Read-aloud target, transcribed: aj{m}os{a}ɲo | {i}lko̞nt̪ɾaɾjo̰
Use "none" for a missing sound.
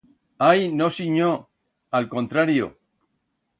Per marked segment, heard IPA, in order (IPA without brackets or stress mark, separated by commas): n, i, a